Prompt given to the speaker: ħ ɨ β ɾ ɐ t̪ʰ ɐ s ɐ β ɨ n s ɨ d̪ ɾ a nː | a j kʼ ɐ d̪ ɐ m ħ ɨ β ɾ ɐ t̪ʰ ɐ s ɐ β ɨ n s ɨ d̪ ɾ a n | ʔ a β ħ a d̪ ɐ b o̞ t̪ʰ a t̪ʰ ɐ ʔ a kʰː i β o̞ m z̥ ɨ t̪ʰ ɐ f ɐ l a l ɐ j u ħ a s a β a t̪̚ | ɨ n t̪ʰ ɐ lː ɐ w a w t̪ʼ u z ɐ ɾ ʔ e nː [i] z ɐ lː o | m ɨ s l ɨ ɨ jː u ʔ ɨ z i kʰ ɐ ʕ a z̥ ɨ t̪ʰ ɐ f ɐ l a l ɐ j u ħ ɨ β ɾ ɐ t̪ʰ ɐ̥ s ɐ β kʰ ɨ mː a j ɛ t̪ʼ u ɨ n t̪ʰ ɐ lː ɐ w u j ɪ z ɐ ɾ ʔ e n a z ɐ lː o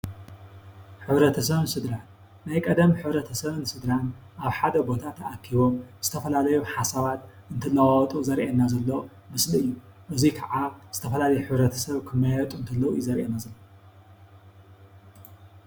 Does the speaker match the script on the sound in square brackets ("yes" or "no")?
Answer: no